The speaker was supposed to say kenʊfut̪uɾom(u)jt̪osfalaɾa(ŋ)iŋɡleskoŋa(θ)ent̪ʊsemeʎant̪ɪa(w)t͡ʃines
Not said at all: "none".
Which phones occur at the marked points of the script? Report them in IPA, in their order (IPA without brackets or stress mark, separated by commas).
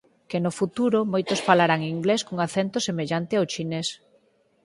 o, ŋ, θ, w